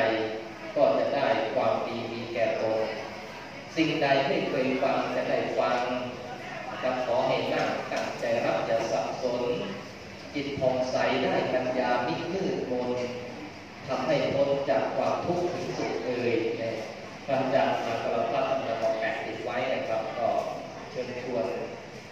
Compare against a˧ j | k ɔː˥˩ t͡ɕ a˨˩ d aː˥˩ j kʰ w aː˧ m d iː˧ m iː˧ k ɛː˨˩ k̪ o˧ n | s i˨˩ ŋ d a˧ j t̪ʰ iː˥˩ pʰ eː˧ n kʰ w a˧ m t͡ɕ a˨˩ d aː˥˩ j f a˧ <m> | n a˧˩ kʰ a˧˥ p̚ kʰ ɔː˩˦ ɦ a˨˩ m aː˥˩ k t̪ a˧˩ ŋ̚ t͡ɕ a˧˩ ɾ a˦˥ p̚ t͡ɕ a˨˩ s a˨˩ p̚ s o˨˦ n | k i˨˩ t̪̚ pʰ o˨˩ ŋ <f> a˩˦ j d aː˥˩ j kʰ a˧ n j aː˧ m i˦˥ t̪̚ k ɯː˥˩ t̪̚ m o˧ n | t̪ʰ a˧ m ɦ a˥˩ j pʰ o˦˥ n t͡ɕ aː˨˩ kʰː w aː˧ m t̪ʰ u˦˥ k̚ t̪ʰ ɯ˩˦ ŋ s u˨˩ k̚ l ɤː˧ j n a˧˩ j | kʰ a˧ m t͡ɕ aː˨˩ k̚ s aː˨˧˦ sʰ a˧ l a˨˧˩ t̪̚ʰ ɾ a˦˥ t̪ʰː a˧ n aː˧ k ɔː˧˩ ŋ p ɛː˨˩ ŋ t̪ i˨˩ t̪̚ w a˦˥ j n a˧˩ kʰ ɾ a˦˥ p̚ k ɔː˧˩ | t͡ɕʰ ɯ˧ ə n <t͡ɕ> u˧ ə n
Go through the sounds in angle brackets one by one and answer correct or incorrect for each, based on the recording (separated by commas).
incorrect, incorrect, incorrect